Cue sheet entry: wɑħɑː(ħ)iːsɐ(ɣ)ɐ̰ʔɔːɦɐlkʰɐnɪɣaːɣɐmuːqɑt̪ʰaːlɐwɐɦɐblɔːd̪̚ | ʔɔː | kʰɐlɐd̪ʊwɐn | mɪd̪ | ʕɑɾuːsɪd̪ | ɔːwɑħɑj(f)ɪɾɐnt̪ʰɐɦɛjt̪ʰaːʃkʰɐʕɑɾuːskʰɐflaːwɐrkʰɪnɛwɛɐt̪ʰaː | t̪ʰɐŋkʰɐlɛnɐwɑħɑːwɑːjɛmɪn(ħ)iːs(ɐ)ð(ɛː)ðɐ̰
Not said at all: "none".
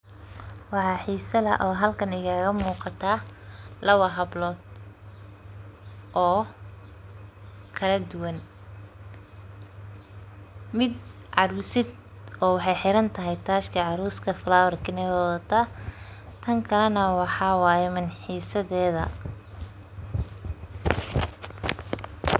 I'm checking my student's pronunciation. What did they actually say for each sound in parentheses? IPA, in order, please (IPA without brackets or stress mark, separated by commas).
ħ, ð, ħ, ħ, ɐ, ɛː